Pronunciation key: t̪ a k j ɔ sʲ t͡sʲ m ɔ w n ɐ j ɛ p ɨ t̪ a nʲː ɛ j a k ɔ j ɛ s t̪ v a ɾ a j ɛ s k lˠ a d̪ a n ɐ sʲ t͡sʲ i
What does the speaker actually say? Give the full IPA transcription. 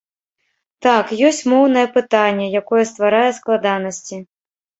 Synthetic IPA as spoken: t̪ a k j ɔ sʲ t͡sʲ m ɔ w n ɐ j ɛ p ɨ t̪ a nʲː ɛ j a k ɔ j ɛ s t̪ v a ɾ a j ɛ s k lˠ a d̪ a n ɐ sʲ t͡sʲ i